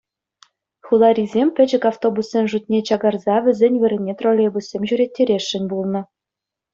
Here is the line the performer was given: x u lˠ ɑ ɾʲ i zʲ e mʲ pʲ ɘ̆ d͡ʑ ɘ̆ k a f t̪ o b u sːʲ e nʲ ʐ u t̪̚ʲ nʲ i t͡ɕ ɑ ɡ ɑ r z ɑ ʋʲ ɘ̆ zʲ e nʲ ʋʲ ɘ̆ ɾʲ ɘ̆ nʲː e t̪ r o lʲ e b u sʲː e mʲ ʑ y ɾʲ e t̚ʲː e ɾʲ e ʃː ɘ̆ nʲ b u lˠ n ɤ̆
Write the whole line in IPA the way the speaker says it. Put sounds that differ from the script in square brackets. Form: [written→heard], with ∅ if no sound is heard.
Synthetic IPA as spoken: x u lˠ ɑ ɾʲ i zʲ e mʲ pʲ ɘ̆ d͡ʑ ɘ̆ k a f t̪ o b u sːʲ e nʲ ʐ u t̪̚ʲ nʲ [i→e] t͡ɕ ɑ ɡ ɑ r z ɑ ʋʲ ɘ̆ zʲ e nʲ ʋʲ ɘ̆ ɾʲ ɘ̆ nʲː e t̪ r o lʲ e b u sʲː e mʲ ʑ y ɾʲ e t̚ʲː e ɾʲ e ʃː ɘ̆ nʲ b u lˠ n ɤ̆